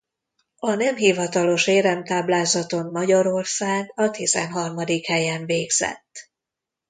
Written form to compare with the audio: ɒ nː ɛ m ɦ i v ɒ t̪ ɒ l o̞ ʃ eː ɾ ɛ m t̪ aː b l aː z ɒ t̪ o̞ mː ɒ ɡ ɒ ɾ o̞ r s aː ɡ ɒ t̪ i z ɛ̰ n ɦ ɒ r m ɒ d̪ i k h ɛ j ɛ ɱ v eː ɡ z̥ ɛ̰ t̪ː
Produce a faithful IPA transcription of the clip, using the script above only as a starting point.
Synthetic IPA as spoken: ɒ n ɛ m ɦ i v ɒ t̪ ɒ l o̞ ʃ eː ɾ ɛ m t̪ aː b l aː z ɒ t̪ o̞ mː ɒ ɟ ɒ ɾ o̞ r s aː ɡ ɒ t̪ i z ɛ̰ n ɦ ɒ r m ɒ d̪ i k h ɛ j ɛ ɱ v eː ɡ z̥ ɛ̰ t̪ː

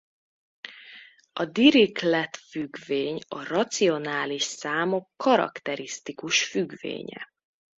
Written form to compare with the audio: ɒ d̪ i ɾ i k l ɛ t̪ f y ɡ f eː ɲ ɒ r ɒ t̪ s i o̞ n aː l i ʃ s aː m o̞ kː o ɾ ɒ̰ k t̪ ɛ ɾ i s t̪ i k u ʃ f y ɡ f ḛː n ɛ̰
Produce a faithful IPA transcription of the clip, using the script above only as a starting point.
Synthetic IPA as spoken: ɒ d̪ i ɾ i k l ɛ t̪ f y ɡ v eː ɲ ɒ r ɒ t̪ s i o̞ n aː l i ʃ s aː m o̞ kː ɒ ɾ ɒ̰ k t̪ ɛ ɾ i s t̪ i k u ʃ f y ɡ v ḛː ɲ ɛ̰

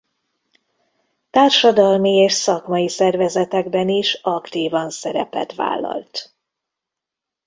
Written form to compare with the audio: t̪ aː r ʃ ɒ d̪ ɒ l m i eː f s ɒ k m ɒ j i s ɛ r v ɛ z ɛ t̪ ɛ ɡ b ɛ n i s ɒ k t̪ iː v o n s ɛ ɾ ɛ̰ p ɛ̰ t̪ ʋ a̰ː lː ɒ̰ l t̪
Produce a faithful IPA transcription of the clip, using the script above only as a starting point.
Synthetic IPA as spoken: t̪ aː r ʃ ɒ d̪ ɒ l m i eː ʃ s ɒ k m ɒ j i s ɛ r v ɛ z ɛ t̪ ɛ ɡ b ɛ n i ʃ ɒ k t̪ iː v ɒ n s ɛ ɾ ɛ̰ p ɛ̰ t̪ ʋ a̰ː lː ɒ̰ l t̪

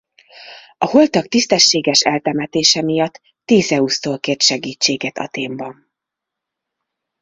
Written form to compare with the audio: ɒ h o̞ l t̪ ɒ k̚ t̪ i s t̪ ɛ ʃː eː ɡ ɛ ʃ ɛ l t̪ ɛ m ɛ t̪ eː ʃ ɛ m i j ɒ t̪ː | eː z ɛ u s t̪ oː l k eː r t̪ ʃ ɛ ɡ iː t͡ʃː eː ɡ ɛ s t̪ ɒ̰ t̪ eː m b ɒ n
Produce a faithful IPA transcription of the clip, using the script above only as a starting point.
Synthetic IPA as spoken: ɒ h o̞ l t̪ ɒ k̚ t̪ i s t̪ ɛ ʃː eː ɡ ɛ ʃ ɛ l t̪ ɛ m ɛ t̪ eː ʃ ɛ m i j ɒ t̪ː | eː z ɛ u s t̪ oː l k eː r t̪ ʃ ɛ ɡ iː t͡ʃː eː ɡ ɛ t̪ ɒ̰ t̪ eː m b ɒ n

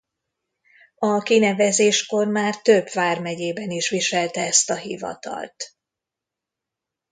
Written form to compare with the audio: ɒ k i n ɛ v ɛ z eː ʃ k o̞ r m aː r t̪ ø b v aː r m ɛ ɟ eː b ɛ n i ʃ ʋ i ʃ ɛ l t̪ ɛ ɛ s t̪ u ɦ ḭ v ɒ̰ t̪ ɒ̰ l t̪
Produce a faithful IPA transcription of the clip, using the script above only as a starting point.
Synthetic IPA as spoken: ɒ k i n ɛ v ɛ z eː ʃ k o̞ r m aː r t̪ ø b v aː r m ɛ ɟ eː b ɛ n i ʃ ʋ i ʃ ɛ l t̪ ɛ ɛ s t̪ ɒ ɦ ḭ v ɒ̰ t̪ ɒ̰ l t̪

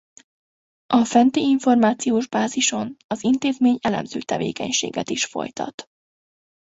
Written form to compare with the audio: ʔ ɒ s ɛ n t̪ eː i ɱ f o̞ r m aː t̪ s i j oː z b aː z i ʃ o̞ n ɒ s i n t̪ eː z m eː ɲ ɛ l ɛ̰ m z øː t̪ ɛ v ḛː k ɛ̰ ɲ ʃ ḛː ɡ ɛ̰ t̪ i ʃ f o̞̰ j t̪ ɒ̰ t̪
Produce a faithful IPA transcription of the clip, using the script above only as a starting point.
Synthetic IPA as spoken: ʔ ɒ f ɛ n t̪ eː i ɱ f o̞ r m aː t̪ s i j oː ʒ b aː z i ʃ o̞ n ɒ z i n t̪ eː z m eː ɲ ɛ l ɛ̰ m z øː t̪ ɛ v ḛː k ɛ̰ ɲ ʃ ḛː ɡ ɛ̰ t̪ i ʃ f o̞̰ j t̪ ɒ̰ t̪

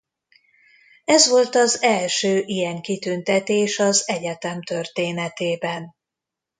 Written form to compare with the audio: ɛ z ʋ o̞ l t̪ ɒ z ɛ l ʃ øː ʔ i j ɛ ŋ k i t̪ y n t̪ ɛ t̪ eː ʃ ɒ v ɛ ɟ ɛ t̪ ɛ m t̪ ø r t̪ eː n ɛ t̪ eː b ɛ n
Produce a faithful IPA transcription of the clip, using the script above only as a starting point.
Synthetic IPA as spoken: ɛ z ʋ o̞ l t̪ ɒ z ɛ l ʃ øː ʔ i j ɛ ŋ k i t̪ y n t̪ ɛ t̪ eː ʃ ɒ z ɛ ɟ ɛ t̪ ɛ m t̪ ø r t̪ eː n ɛ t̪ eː b ɛ n

